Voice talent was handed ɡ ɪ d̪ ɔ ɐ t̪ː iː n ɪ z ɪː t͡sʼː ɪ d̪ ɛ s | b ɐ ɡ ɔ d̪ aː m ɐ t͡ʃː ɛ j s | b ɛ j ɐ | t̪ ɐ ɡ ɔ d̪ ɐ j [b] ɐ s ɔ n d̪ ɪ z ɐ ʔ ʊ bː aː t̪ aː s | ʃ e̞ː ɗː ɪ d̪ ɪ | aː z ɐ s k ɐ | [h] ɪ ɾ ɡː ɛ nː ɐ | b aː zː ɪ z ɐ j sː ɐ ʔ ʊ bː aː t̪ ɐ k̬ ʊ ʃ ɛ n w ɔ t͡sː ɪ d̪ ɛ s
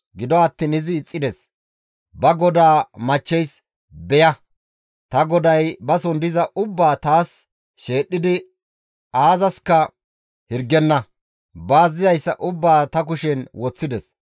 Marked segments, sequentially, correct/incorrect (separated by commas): correct, correct